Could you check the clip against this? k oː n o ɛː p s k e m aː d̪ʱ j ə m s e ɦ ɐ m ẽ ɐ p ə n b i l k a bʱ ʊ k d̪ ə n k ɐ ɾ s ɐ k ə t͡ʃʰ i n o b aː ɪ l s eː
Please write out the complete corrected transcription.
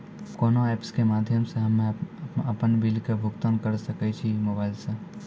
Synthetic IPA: k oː n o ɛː p s k e m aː d̪ʱ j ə m s e ɦ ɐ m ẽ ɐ p ə n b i l k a bʱ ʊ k t̪ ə n k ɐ ɾ s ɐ k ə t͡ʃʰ i m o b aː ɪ l s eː